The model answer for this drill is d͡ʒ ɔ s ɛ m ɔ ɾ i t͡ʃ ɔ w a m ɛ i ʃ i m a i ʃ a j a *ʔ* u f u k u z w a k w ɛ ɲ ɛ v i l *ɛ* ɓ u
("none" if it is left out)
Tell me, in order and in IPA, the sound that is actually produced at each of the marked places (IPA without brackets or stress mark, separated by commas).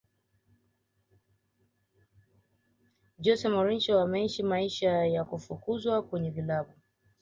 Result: k, a